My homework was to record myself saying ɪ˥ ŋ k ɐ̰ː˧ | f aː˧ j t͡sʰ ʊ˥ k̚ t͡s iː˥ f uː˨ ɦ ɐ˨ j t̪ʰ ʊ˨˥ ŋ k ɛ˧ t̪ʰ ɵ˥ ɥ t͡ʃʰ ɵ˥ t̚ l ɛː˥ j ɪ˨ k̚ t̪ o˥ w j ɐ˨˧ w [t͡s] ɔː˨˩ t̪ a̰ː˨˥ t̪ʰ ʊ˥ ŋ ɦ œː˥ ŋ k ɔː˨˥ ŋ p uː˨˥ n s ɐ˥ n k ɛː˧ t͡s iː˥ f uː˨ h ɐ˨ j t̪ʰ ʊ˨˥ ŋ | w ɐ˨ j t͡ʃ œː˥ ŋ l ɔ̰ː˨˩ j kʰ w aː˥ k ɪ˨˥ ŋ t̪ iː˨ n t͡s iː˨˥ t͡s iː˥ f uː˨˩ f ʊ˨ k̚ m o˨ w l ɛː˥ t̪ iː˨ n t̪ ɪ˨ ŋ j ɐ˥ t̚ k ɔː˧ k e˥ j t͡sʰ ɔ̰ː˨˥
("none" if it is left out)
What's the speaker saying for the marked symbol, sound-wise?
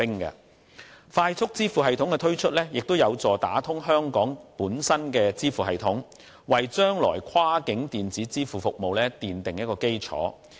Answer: t͡s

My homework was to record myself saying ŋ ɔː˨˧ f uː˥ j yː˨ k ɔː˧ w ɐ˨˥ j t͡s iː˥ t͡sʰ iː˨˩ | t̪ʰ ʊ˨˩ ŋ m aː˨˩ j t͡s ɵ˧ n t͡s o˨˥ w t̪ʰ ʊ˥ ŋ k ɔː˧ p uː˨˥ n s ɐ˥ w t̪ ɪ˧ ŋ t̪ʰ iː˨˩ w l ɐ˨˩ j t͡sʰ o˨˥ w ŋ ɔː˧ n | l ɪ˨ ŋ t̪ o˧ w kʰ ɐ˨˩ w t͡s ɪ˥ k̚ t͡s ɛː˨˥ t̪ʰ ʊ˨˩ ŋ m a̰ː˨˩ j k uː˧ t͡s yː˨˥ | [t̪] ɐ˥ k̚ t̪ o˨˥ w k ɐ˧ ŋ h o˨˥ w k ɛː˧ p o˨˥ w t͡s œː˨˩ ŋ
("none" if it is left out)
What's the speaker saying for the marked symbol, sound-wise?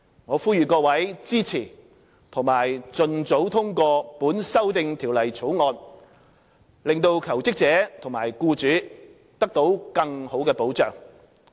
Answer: t̪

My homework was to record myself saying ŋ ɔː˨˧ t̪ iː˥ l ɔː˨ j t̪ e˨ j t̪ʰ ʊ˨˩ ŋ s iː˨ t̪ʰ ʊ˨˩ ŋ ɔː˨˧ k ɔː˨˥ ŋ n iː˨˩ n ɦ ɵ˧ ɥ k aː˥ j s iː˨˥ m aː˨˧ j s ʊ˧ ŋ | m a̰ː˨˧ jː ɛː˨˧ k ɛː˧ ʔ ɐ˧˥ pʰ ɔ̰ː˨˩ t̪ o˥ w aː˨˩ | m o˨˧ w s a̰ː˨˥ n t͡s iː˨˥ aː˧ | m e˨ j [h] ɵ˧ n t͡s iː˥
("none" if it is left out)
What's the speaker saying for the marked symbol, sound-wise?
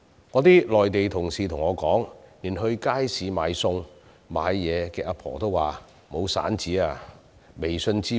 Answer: s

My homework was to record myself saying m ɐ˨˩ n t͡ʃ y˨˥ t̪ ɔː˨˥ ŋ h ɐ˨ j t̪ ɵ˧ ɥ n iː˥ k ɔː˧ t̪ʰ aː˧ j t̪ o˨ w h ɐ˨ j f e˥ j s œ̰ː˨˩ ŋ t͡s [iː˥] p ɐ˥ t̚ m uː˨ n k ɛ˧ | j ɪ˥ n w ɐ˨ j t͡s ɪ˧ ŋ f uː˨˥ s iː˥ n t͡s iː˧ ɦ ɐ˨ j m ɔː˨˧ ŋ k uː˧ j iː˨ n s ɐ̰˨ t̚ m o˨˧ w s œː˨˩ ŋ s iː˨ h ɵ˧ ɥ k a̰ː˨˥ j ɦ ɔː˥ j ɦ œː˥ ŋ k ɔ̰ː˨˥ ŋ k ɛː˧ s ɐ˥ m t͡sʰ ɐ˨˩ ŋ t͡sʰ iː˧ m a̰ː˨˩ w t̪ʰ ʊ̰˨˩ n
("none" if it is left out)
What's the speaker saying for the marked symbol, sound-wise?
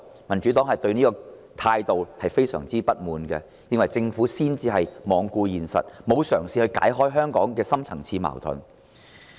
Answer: iː˥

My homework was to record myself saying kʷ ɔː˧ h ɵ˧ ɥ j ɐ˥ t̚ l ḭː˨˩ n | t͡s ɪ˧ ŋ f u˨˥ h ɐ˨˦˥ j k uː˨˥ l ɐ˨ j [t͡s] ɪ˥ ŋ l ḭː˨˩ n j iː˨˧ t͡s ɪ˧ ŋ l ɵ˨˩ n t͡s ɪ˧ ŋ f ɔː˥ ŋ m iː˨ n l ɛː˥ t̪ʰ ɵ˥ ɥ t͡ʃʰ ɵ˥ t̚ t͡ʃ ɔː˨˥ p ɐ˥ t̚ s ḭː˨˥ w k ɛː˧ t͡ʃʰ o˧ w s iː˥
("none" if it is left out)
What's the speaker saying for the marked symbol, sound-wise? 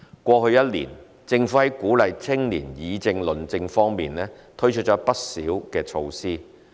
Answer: t͡sʰ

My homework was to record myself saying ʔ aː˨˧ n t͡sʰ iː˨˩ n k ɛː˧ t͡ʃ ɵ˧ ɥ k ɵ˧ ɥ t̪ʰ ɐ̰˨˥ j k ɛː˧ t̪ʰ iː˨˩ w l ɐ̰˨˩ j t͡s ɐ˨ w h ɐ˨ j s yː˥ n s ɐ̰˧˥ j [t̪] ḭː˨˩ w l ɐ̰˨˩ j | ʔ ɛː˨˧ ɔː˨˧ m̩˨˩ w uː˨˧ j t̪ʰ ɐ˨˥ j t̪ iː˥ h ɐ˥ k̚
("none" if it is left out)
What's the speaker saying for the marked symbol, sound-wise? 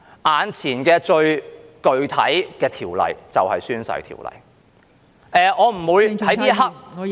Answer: t̪ʰ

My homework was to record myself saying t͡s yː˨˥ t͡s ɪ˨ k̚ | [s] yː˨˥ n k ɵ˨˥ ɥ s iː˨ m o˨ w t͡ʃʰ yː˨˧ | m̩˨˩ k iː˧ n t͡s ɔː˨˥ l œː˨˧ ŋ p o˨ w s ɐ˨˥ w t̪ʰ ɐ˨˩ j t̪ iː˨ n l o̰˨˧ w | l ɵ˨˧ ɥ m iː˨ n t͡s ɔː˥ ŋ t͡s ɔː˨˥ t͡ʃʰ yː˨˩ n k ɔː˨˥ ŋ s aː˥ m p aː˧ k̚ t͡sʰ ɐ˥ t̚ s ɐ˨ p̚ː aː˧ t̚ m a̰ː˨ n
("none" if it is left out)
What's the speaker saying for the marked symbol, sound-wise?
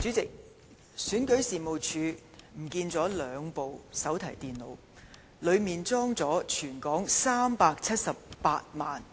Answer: s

